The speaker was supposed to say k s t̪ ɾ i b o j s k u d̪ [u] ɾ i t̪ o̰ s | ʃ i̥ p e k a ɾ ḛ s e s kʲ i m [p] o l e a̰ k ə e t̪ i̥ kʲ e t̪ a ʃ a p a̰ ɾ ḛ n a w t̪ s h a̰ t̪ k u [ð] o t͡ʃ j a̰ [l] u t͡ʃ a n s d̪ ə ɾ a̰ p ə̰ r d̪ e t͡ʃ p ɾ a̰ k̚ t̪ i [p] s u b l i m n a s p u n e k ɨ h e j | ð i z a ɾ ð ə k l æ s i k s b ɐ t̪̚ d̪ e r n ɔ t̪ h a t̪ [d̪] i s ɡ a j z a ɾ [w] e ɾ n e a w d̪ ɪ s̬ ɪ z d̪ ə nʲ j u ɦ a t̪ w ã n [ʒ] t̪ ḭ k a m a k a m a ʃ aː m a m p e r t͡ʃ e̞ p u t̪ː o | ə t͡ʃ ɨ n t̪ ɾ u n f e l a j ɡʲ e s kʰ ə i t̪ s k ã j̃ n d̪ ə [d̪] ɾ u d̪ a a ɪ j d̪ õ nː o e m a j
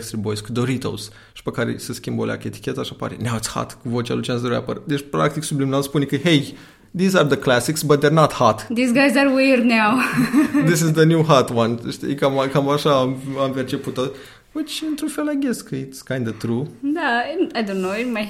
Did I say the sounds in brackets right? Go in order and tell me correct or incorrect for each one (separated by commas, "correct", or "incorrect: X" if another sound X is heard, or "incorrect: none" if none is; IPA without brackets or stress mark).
incorrect: o, incorrect: b, incorrect: v, correct, incorrect: k, correct, correct, incorrect: ʃ, incorrect: t̪